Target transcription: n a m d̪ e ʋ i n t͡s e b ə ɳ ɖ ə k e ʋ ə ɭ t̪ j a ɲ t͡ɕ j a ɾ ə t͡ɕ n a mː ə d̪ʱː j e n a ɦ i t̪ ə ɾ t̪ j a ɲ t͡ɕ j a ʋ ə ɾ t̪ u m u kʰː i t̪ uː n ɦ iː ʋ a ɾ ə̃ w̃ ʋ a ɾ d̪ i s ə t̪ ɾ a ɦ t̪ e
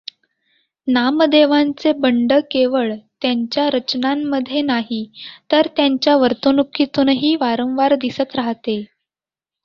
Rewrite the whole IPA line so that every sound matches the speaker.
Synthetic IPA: n a m d̪ e ʋ a n t͡s e b ə ɳ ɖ ə k e ʋ ə ɭ t̪ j a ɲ t͡ɕ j a ɾ ə t͡ɕ n a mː ə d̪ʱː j e n a ɦ i t̪ ə ɾ t̪ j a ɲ t͡ɕ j a ʋ ə ɾ t̪ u n u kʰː i t̪ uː n ɦ iː ʋ a ɾ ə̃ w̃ ʋ a ɾ d̪ i s ə t̪ ɾ a ɦ t̪ e

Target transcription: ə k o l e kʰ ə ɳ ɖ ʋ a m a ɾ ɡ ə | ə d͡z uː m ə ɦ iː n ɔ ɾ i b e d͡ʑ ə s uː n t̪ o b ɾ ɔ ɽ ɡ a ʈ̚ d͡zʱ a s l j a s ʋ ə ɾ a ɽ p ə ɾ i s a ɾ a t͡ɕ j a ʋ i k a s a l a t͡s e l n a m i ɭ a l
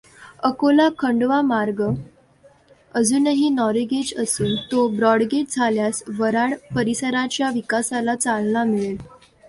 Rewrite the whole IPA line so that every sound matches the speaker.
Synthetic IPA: ə k o l a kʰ ə ɳ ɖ ʋ a m a ɾ ɡ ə | ə d͡z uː n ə ɦ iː n ɔ ɾ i ɡ e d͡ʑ ə s uː n t̪ o b ɾ ɔ ɽ ɡ e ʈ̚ d͡zʱ a l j a s ʋ ə ɾ a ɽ p ə ɾ i s ə ɾ a t͡ɕ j a ʋ i k a s a l a t͡s a l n a m i ɭ e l

